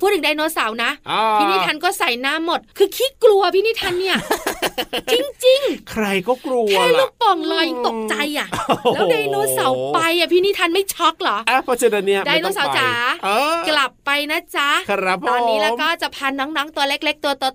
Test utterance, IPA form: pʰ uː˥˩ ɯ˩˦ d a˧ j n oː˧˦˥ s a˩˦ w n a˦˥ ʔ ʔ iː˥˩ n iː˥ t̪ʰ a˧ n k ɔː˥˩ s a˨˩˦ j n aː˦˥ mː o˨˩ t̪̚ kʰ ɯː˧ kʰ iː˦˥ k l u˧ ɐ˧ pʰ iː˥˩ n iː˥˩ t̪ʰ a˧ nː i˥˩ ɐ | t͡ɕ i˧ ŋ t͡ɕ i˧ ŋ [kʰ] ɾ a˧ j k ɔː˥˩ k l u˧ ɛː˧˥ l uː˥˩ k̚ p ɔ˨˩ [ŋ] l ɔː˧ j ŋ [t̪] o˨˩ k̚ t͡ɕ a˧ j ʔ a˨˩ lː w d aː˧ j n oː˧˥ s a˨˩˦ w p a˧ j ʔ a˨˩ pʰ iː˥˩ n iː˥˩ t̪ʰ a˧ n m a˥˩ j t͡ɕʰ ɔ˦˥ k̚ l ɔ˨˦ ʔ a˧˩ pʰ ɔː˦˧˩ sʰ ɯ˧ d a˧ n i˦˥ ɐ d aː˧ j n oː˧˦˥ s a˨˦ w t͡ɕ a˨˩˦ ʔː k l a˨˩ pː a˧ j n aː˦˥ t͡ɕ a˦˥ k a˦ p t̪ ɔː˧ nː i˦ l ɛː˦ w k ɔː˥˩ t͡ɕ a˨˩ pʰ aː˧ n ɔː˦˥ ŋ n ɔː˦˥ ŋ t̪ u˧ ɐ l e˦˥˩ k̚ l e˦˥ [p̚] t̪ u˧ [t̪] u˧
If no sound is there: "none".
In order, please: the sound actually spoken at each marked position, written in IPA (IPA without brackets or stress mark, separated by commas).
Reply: kʰ, ŋ, t̪, k̚, t̪